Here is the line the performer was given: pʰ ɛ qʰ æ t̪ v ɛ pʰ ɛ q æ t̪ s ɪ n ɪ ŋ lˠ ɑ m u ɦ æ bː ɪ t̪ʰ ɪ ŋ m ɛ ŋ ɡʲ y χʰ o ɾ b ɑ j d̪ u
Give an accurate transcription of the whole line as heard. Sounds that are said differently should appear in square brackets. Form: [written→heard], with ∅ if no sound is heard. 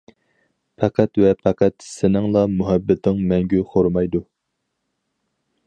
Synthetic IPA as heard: pʰ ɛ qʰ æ t̪ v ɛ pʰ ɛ q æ t̪ s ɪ n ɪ ŋ lˠ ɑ m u ɦ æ bː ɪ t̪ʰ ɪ ŋ m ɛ ŋ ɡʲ y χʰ o ɾ [b→m] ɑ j d̪ u